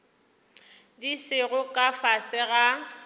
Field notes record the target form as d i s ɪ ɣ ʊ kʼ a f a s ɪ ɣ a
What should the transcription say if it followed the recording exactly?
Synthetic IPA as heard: d i s ɪ ɣ ʊ kʼ a f a s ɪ ɣ a

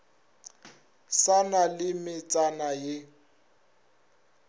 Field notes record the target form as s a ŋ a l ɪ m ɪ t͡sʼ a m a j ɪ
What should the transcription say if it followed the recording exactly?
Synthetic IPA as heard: s a n a l ɪ m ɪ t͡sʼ a n a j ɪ

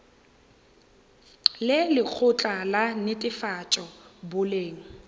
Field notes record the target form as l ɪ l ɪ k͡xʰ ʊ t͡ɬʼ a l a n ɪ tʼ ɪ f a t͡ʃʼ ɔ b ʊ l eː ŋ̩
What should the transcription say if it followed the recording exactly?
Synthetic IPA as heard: l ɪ l ɪ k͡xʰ ʊ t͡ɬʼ a l a n ɪ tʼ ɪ f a t͡ʃʼ ɔ b ʊ l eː ŋ̩

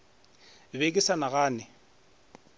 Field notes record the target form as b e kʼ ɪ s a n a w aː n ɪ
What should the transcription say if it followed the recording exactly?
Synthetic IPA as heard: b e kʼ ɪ s a n a ɣ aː n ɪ

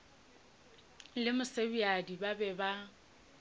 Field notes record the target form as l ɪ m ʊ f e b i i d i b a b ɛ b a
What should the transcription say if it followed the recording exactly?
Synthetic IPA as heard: l ɪ m ʊ s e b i a d i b a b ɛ b a

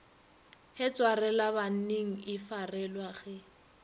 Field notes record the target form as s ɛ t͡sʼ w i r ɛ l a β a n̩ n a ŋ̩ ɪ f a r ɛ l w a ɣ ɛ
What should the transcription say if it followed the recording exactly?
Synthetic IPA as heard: h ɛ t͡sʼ w a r ɛ l a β a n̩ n e ŋ̩ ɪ f a r ɛ l w a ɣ ɛ

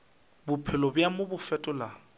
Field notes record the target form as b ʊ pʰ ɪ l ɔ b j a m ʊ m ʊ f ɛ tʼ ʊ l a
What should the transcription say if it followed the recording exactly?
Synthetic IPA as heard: b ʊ pʰ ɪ l ɔ b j a m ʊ b ʊ f ɛ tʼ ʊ l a

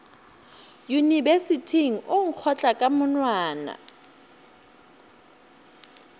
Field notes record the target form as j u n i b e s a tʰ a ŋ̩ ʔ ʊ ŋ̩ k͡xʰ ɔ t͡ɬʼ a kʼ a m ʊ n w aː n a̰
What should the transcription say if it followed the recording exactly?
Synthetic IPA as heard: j u n i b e s i tʰ i ŋ̩ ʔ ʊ ŋ̩ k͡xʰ ɔ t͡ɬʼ a kʼ a m ʊ n w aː n a̰

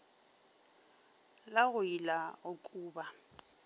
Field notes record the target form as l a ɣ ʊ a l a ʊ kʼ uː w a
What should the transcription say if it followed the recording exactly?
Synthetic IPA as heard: l a ɣ ʊ i l a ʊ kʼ uː b a

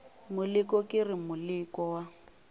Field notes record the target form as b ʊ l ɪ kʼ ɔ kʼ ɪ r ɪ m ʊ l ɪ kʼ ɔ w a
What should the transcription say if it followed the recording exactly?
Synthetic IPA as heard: m ʊ l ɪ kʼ ɔ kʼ ɪ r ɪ m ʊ l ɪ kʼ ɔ w a

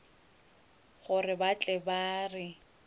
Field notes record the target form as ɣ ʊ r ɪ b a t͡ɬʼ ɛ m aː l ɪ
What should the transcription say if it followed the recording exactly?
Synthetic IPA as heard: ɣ ʊ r ɪ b a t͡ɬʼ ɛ b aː r ɪ

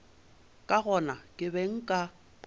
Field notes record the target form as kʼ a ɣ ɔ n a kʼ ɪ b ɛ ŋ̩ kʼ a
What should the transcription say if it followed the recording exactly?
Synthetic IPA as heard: kʼ a ɣ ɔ n a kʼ ɪ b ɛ ŋ̩ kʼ a

